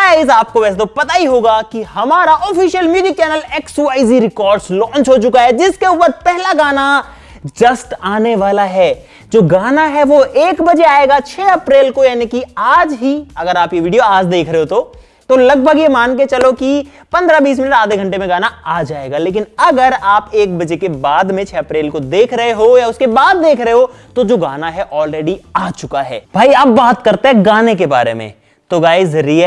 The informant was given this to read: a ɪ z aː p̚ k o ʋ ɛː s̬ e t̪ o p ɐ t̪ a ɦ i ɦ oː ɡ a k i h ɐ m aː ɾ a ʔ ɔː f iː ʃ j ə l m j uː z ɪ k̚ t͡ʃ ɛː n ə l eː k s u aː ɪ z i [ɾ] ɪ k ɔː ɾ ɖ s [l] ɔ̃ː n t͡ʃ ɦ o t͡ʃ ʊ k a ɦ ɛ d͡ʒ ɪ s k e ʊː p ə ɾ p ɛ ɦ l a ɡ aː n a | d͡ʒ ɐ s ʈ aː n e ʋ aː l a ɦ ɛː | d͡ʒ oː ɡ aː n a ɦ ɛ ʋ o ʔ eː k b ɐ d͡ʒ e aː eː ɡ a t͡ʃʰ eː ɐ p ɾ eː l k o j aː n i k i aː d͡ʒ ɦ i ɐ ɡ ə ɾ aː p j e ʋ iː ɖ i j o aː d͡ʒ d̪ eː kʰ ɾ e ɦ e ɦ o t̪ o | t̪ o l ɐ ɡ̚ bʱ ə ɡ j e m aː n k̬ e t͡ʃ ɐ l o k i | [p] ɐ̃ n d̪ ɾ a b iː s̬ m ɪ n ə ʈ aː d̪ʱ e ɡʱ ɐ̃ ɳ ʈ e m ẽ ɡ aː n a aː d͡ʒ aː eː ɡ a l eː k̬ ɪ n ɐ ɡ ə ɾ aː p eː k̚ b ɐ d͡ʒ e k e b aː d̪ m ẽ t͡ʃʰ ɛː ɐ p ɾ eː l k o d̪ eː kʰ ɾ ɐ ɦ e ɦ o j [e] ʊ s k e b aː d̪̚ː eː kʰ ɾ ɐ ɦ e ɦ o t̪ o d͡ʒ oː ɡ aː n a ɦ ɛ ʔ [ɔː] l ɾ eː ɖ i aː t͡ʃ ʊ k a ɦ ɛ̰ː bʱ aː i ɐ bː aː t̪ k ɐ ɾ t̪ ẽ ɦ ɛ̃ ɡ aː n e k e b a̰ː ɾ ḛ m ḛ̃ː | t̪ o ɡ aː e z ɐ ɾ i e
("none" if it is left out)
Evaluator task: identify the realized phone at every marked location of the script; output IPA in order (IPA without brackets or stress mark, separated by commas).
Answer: ɾ, l, p, a, ɔː